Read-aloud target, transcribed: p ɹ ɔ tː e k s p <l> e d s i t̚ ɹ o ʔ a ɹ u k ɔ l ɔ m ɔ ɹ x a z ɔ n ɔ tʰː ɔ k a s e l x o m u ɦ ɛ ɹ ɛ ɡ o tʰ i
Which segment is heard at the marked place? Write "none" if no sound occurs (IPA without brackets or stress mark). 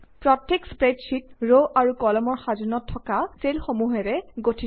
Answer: ɹ